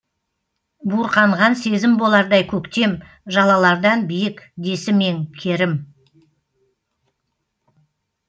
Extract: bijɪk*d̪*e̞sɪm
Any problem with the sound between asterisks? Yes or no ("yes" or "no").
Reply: no